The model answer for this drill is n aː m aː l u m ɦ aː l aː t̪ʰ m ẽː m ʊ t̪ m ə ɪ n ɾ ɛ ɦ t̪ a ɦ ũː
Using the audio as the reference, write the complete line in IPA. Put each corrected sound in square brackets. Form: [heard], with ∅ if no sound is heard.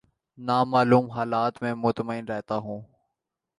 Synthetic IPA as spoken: n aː m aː l [uː] m ɦ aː l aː [t̪] m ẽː m ʊ t̪ m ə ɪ n ɾ ɛ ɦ t̪ a ɦ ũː